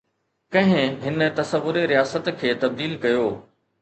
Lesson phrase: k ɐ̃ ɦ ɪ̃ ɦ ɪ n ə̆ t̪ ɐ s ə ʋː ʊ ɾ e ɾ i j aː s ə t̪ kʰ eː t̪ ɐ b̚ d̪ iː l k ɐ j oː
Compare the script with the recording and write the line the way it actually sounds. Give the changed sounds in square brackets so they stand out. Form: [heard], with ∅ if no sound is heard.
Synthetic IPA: k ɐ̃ ɦ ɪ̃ ɦ ɪ n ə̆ t̪ ɐ s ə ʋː ʊ ɾ e ɾ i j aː s ə t̪ kʰ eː t̪ ɐ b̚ d̪ iː l k ɐ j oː